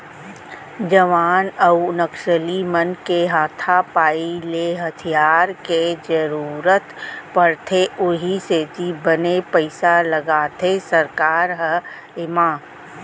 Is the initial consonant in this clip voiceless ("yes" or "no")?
no